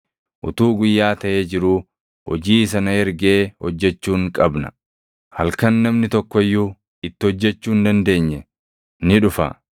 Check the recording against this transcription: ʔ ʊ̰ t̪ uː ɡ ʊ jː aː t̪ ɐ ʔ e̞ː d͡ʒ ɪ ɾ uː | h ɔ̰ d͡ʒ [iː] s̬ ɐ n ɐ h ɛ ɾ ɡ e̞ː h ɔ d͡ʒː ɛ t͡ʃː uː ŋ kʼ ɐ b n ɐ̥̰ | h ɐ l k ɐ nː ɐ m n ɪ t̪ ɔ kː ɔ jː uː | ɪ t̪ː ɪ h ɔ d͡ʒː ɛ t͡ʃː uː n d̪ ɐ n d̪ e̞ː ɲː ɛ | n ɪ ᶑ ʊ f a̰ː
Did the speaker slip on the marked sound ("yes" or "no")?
no